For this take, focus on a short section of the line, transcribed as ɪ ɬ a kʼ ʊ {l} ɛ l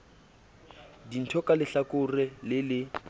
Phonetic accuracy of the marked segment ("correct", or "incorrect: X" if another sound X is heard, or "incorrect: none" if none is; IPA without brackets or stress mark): incorrect: r